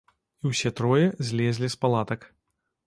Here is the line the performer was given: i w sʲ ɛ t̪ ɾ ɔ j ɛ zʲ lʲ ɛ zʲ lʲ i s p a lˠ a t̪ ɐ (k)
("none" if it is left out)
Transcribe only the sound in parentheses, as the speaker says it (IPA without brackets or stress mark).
k